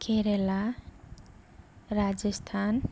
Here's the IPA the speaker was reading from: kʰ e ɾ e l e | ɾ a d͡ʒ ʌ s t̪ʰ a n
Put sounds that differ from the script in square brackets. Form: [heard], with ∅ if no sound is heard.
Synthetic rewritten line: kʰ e ɾ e l [a] | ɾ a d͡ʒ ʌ s t̪ʰ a n